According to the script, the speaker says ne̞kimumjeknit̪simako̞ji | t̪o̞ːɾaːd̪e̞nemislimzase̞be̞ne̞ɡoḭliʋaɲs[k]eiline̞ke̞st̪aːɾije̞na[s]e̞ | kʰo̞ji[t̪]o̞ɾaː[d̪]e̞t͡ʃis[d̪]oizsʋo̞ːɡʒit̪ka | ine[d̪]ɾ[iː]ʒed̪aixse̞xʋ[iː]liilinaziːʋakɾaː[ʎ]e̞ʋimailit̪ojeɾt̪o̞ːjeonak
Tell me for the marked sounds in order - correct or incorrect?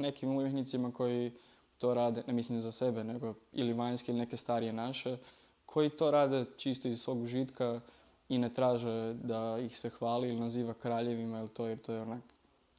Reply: correct, incorrect: ʃ, correct, correct, incorrect: t̪, incorrect: t̪, incorrect: aː, incorrect: aː, correct

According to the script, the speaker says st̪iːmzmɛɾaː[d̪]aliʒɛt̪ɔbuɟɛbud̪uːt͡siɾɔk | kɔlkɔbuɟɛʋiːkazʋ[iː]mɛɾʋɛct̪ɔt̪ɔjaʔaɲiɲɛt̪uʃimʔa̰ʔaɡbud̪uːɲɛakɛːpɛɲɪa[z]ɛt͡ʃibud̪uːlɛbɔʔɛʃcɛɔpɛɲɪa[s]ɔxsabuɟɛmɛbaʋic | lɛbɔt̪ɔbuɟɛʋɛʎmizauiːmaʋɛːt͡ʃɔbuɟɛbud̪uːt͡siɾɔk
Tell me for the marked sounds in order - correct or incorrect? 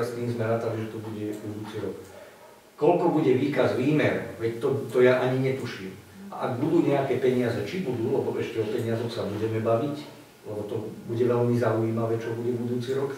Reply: incorrect: t̪, correct, correct, incorrect: z

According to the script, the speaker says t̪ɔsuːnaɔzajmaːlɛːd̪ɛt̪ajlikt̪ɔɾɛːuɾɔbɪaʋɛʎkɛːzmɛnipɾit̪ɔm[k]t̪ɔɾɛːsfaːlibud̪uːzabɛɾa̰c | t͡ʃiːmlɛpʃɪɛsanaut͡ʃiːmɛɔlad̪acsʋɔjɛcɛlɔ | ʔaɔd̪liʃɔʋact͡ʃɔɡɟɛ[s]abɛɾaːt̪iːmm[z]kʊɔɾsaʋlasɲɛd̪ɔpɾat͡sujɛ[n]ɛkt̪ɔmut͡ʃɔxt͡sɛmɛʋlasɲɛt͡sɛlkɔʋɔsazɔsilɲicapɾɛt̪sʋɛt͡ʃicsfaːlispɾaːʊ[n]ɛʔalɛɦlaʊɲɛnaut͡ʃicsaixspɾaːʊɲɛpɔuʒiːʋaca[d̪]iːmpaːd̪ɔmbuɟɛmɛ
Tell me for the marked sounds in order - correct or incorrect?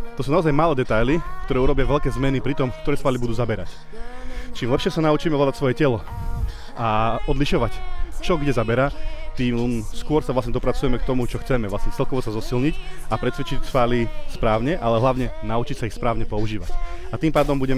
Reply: correct, incorrect: z, incorrect: s, incorrect: m, incorrect: ɲ, incorrect: t̪

